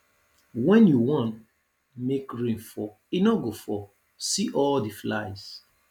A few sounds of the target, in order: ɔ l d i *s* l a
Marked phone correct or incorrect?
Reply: incorrect